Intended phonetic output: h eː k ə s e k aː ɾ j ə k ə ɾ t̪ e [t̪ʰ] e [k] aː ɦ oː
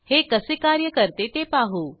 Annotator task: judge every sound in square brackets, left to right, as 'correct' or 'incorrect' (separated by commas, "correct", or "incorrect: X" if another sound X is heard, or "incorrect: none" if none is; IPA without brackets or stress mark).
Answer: incorrect: t̪, incorrect: p